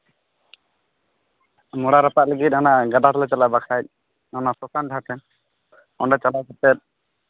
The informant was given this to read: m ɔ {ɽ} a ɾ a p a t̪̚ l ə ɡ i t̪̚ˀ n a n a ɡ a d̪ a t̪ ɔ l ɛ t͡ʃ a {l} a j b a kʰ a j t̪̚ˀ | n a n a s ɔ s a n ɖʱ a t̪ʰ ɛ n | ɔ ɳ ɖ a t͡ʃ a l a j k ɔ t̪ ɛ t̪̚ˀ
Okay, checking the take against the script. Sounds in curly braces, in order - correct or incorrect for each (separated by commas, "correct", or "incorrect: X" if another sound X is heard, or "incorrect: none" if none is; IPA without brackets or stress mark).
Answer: correct, correct